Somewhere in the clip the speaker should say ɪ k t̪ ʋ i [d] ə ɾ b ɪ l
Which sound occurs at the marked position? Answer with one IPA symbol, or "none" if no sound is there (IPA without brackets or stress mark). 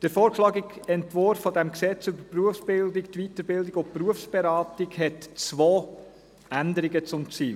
t